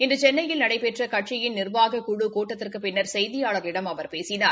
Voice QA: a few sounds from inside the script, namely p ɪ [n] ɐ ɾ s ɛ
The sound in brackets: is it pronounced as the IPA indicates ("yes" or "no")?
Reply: no